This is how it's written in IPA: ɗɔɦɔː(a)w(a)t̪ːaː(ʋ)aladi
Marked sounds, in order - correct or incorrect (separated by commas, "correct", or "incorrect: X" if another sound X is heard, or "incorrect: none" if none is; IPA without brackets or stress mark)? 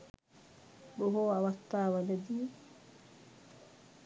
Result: correct, correct, incorrect: w